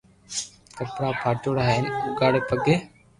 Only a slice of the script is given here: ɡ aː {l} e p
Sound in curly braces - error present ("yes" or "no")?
yes